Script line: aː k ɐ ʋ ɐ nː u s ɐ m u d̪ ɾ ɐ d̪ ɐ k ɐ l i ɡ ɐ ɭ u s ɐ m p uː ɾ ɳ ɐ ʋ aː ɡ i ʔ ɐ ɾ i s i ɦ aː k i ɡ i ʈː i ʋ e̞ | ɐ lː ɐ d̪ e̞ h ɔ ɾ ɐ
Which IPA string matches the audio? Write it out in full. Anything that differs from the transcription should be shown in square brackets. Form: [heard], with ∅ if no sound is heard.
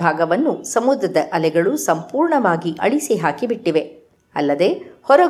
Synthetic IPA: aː [ɡ] ɐ ʋ ɐ nː u s ɐ m u d̪ ɾ ɐ d̪ ɐ [ʔ] ɐ l [ɛ] ɡ ɐ ɭ u s ɐ m p uː ɾ ɳ ɐ ʋ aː ɡ i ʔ ɐ [ɭ] i s i ɦ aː k i [b] i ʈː i ʋ e̞ | ɐ lː ɐ d̪ e̞ h ɔ ɾ ɐ